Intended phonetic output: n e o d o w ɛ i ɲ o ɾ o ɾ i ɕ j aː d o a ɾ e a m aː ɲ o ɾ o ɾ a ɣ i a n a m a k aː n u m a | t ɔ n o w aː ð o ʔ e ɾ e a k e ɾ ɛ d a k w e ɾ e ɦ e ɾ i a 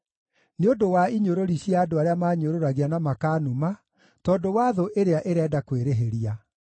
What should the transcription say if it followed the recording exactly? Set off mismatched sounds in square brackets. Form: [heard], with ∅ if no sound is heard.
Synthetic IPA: n e o d o w [a] i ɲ o ɾ o ɾ i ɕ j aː d o a ɾ e a m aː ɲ o ɾ o ɾ a ɣ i a n a m a k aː n u m a | t ɔ [d] o w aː ð o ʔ e ɾ e a [ʔ] e ɾ ɛ d a k w e ɾ e ɦ e ɾ i a